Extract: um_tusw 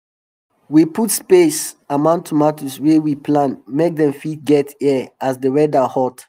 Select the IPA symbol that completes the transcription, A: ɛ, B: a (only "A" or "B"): B